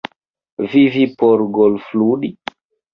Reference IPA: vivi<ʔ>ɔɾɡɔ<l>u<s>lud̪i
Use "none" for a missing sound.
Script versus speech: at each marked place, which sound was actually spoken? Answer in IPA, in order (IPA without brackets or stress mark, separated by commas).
p, l, f